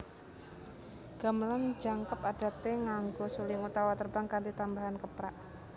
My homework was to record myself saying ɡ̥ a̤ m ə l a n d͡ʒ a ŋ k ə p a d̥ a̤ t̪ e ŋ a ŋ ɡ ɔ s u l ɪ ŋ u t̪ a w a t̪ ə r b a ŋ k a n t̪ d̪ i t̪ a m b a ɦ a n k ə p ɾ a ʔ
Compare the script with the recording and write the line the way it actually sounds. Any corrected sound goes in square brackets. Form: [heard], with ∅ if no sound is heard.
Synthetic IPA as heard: ɡ̥ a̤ m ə l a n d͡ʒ a ŋ k ə p a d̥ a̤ t̪ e ŋ a ŋ ɡ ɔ s u l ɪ ŋ u t̪ a w a t̪ ə r b a ŋ k a n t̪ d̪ i t̪ a m b a ɦ a n k ə p ɾ a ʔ